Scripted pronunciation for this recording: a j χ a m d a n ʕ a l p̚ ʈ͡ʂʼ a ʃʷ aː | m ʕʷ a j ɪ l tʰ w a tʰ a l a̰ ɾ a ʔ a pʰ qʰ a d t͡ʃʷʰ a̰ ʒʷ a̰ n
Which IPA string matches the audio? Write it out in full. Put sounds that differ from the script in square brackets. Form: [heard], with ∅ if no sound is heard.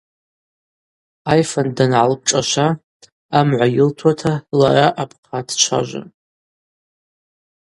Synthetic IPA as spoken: a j [f] a [n] d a n ʕ a l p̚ ʈ͡ʂʼ a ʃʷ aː | m ʕʷ a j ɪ l tʰ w a tʰ a l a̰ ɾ a ʔ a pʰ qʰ a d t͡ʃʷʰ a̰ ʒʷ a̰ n